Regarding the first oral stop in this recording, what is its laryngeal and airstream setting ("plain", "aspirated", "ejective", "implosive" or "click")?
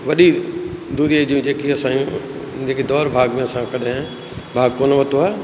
implosive